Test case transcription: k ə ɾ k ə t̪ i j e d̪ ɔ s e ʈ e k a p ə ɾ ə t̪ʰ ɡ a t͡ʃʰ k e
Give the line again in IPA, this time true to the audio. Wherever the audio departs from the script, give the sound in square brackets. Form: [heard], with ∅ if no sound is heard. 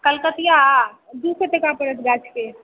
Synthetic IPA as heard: k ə [l] k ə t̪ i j [a] d̪ [u] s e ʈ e k a p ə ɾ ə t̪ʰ ɡ a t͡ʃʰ k e